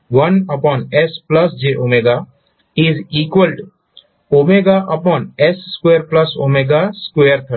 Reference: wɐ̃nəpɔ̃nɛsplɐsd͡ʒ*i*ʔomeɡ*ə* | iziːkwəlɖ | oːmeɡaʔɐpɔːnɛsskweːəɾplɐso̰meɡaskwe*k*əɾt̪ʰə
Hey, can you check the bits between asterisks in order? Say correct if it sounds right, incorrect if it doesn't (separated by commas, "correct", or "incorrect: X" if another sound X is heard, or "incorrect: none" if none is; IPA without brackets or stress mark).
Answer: incorrect: e, incorrect: a, incorrect: none